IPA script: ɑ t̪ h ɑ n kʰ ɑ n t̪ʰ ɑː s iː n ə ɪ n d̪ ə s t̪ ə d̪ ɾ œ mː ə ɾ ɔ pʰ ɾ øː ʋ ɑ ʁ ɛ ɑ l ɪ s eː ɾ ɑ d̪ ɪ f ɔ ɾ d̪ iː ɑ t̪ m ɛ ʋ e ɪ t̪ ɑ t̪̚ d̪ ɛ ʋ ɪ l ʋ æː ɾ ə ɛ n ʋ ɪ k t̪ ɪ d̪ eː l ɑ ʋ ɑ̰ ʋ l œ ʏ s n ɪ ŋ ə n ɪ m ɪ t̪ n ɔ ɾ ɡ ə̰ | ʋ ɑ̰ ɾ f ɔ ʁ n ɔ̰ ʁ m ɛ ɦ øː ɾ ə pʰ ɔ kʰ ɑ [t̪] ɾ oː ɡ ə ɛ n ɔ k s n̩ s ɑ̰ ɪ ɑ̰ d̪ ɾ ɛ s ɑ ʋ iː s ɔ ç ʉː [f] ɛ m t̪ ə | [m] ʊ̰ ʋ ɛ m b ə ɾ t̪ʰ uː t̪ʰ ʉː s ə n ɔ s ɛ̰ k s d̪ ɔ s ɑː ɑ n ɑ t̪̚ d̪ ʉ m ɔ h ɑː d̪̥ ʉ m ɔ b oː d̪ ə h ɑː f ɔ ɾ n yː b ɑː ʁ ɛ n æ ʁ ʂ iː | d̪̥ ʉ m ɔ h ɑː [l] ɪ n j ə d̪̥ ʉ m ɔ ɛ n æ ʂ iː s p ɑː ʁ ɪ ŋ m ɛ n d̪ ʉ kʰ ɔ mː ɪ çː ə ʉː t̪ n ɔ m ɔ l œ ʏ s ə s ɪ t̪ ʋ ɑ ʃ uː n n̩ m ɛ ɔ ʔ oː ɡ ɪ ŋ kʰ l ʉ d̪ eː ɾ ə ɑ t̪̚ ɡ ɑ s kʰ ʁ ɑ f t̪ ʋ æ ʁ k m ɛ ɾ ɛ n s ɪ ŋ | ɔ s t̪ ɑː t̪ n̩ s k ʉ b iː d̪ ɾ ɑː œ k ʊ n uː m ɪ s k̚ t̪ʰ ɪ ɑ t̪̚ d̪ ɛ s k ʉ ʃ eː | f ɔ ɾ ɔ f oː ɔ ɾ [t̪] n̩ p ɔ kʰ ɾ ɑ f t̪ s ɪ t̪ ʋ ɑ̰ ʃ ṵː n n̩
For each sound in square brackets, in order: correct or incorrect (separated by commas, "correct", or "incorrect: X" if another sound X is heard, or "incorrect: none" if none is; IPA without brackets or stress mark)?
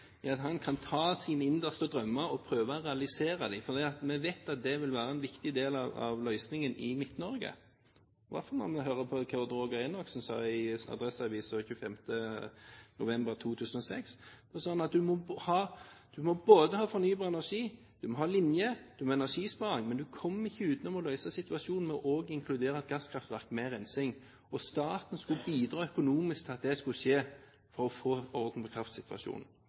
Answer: incorrect: d̪, correct, incorrect: n, correct, incorrect: d̪